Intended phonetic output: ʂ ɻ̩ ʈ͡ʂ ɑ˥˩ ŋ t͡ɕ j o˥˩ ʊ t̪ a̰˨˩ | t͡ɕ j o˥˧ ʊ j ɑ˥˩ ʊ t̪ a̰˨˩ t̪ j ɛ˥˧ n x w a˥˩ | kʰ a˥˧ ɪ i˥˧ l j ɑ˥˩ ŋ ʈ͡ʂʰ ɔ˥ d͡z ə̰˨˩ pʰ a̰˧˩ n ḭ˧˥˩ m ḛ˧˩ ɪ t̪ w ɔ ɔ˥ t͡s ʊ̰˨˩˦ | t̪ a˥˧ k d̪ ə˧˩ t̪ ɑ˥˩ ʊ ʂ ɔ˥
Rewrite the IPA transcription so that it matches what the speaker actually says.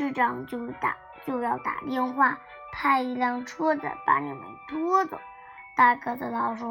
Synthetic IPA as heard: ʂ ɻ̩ ʈ͡ʂ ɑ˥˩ ŋ t͡ɕ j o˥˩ ʊ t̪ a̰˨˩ | t͡ɕ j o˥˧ ʊ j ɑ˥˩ ʊ t̪ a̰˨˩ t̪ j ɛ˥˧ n x w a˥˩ | pʰ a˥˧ ɪ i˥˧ l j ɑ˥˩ ŋ ʈ͡ʂʰ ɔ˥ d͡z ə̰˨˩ p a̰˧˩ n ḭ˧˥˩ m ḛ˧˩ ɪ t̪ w ɔ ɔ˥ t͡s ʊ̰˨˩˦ | t̪ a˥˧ k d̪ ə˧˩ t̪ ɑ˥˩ ʊ ʂ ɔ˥